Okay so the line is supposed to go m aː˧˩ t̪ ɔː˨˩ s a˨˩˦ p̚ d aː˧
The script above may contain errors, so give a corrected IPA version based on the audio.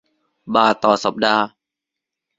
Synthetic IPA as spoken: b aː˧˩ t̪ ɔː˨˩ s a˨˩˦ p̚ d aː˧